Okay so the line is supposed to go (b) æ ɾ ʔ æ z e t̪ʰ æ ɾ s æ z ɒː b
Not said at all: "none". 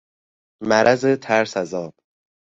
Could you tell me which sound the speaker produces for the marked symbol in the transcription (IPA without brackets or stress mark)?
m